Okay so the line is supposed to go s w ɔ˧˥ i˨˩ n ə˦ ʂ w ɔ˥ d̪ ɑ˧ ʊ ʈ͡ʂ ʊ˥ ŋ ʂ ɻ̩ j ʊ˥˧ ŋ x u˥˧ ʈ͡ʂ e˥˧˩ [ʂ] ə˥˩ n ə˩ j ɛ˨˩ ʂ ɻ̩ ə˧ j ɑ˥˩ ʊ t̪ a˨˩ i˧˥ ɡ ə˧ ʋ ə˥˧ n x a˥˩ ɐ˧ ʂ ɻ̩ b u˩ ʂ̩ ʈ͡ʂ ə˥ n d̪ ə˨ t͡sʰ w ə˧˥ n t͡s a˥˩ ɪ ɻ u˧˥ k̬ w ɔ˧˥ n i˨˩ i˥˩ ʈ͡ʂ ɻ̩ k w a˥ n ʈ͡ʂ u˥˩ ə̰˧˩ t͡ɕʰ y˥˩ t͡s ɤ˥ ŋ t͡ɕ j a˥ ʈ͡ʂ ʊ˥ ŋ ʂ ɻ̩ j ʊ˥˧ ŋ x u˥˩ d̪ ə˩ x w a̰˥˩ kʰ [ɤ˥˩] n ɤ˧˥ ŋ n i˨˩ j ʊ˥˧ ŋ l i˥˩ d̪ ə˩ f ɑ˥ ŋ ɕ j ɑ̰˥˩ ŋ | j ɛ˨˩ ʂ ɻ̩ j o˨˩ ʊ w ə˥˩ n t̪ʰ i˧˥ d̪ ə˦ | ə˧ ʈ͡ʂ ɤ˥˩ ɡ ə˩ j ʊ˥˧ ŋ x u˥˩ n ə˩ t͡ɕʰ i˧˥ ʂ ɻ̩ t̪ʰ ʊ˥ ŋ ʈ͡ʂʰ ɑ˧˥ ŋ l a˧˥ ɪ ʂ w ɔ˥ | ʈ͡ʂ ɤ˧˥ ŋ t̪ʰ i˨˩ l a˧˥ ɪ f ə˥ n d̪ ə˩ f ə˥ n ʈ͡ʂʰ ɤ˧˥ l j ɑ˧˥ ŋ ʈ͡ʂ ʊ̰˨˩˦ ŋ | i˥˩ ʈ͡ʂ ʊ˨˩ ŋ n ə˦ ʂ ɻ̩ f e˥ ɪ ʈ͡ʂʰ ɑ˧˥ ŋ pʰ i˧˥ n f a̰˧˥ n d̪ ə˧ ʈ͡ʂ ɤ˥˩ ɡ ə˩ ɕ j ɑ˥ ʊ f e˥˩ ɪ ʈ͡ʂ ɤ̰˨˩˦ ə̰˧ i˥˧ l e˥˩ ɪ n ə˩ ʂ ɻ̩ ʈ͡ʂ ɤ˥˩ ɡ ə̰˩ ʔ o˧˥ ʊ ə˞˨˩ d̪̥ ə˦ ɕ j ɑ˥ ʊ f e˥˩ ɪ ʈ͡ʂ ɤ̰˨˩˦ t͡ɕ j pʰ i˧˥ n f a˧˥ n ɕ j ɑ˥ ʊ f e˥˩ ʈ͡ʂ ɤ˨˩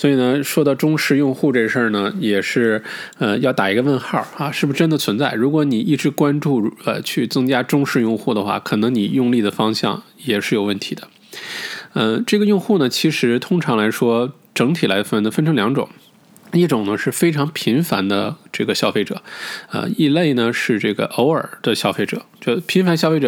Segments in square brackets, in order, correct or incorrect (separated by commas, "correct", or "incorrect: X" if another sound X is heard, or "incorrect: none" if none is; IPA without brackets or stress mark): correct, incorrect: ɤ˨˩